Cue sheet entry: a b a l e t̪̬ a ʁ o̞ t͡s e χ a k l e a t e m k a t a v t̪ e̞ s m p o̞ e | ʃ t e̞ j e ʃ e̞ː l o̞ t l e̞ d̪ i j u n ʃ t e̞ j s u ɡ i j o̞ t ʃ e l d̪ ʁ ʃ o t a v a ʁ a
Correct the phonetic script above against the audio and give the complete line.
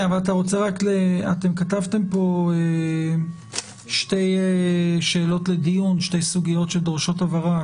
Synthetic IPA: a v a l a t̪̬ a ʁ o̞ t͡s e ʁ a k l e a t e m k a t a v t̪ e̞ m p o̞ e | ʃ t e̞ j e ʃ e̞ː l o̞ t l e̞ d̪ i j u n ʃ t e̞ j s u ɡ i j o̞ t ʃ e l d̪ ʁ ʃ o t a v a ʁ a